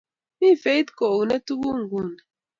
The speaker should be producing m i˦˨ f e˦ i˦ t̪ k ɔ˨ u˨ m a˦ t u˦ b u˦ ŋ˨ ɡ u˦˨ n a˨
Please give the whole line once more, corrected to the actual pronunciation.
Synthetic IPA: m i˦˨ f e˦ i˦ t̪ k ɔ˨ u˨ n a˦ t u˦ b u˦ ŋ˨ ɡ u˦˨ n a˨